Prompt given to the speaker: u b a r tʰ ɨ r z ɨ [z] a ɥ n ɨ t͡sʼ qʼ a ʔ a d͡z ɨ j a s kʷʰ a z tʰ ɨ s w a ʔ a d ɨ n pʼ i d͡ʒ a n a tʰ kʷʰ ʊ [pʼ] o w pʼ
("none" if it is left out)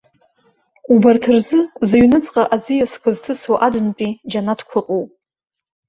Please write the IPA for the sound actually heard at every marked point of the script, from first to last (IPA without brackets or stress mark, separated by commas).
z, qʼ